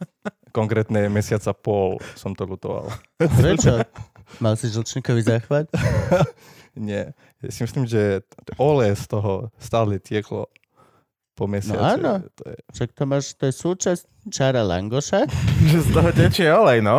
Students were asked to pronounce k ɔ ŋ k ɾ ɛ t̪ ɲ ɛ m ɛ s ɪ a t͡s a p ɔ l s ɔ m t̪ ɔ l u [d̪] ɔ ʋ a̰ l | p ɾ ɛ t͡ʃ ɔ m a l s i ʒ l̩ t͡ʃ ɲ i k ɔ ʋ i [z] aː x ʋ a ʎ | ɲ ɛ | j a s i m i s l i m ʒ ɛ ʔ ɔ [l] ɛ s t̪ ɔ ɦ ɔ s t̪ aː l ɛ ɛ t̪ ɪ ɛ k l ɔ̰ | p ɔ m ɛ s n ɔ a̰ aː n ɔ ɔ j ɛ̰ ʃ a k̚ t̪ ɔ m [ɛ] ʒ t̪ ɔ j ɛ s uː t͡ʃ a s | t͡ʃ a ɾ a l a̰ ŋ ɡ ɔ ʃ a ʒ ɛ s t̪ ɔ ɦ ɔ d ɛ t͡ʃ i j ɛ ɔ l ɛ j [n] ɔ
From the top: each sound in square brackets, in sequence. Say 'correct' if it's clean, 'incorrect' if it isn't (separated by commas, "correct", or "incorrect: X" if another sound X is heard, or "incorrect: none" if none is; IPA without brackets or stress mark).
incorrect: t̪, correct, correct, incorrect: a, correct